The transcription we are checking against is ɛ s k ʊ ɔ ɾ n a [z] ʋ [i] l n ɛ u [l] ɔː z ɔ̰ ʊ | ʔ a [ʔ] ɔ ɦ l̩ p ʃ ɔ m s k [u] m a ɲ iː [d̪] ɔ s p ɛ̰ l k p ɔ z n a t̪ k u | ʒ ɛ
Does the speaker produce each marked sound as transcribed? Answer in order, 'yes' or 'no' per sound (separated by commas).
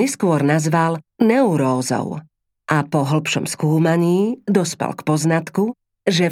yes, no, no, no, no, yes